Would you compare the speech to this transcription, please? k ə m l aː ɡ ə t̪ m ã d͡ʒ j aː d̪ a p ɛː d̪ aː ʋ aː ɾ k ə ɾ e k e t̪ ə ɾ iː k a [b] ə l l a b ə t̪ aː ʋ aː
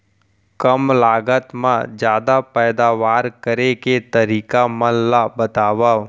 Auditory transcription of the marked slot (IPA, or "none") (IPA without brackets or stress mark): m